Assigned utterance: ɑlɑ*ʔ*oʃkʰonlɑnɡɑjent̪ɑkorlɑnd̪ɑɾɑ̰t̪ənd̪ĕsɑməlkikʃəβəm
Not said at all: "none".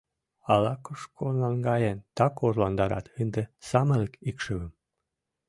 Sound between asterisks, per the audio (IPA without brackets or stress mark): k